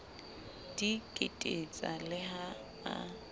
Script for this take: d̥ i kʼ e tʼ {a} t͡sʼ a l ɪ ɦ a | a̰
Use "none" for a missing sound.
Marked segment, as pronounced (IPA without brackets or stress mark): e